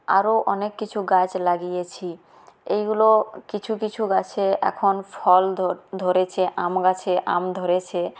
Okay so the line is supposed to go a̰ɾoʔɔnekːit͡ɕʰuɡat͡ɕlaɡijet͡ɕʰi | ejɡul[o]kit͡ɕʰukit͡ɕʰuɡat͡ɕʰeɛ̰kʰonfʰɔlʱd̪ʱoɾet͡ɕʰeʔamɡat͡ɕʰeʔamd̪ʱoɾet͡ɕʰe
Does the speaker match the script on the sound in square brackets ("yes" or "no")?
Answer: yes